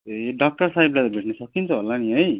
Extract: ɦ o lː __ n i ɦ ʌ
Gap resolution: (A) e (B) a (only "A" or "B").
B